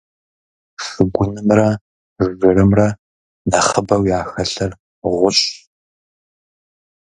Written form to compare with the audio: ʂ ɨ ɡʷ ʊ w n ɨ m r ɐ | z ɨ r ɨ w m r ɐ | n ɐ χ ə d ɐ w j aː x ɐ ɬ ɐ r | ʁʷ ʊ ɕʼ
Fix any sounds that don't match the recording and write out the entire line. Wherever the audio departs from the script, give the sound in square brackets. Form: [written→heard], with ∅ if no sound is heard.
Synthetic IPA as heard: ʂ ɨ ɡʷ ʊ [w→∅] n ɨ m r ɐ | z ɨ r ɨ [w→∅] m r ɐ | n ɐ χ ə [d→b] ɐ w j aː x ɐ ɬ ɐ r | ʁʷ ʊ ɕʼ